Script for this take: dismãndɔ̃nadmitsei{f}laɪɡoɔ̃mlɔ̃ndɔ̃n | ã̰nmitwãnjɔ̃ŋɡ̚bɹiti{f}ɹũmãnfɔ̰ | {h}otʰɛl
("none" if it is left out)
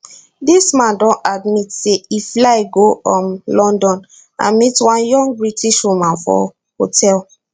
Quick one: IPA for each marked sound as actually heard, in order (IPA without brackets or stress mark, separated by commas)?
f, ʃ, h